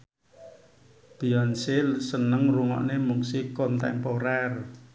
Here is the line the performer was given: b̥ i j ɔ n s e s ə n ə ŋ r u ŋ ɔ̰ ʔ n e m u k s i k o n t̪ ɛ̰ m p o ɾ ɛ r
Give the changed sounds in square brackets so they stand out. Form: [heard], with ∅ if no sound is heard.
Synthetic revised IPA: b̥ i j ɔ n s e s ə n ə ŋ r u ŋ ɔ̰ ʔ n e m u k s i k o n t̪ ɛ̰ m p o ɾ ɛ r